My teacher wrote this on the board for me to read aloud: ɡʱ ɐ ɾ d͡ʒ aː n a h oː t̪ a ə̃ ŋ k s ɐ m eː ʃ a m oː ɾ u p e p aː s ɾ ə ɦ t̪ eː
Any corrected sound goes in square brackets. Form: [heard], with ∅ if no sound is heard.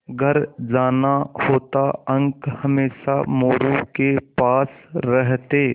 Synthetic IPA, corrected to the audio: ɡʱ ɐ ɾ d͡ʒ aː n a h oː t̪ a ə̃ ŋ k [h] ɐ m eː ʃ a m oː ɾ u [k] e p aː s ɾ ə ɦ t̪ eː